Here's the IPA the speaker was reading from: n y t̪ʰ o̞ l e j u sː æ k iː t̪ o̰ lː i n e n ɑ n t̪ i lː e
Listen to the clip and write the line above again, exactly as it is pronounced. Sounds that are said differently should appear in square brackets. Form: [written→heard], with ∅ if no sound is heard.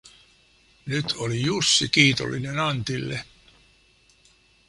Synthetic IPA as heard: n y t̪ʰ o̞ l [e→i] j u sː [æ→i] k iː t̪ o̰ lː i n e n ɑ n t̪ i lː e